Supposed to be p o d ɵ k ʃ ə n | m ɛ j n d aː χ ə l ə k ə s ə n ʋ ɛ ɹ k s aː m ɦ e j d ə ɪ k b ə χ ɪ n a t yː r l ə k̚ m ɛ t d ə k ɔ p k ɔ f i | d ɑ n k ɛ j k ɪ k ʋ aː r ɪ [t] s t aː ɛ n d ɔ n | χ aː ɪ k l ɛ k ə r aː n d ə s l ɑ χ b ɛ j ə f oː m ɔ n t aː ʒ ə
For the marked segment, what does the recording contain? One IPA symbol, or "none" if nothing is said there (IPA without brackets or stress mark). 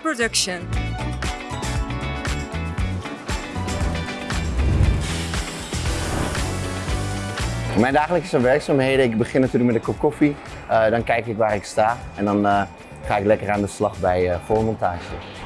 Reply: k